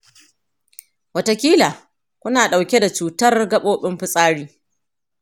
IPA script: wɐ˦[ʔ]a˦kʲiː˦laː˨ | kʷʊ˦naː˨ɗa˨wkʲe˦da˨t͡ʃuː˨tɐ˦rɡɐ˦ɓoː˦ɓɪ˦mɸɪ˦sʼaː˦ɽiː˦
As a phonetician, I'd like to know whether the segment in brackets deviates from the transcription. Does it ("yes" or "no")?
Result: yes